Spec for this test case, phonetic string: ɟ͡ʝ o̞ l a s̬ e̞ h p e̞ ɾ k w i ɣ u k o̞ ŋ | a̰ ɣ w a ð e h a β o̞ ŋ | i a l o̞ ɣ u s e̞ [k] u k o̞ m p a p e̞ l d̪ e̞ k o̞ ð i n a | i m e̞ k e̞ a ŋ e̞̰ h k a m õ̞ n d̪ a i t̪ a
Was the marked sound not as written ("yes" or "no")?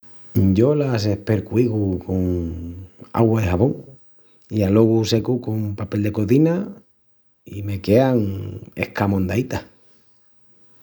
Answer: no